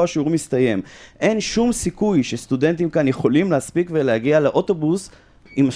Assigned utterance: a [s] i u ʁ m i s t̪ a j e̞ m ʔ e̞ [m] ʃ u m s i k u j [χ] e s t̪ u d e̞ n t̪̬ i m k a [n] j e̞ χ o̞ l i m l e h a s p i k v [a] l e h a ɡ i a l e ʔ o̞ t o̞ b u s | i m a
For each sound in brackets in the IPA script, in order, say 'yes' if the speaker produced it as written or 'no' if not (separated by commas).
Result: no, no, no, yes, no